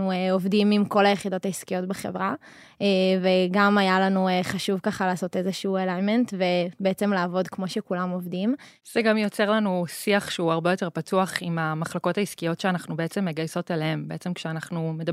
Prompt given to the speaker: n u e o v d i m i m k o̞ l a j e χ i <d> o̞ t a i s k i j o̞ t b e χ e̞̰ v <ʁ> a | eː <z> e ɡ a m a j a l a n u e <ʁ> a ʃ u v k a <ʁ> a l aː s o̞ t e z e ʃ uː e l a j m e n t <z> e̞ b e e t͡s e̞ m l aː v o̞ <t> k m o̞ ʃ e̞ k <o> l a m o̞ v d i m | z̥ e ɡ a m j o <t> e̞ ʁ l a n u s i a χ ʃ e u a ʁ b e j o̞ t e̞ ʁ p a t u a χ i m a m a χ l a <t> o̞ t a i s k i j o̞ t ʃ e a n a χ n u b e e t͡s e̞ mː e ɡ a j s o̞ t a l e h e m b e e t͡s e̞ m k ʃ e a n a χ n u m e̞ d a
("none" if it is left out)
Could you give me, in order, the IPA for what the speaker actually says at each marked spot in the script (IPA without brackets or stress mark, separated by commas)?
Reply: d, ʁ, v, χ, χ, v, d, u, t͡s, k